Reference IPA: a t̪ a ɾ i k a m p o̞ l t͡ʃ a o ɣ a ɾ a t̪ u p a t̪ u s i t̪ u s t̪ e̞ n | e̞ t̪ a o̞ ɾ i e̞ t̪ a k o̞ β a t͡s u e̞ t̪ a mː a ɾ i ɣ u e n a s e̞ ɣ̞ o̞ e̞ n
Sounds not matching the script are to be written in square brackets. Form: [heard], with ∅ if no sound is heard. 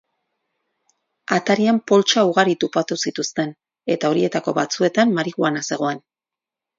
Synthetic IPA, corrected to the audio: a t̪ a ɾ i [∅] a m p o̞ l t͡ʃ a [u] ɣ a ɾ [i] t̪ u p a t̪ u s i t̪ u s t̪ e̞ n | e̞ t̪ a o̞ ɾ i e̞ t̪ a k o̞ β a t͡s u e̞ t̪ a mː a ɾ i ɣ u [a] n a s e̞ ɣ̞ o̞ e̞ n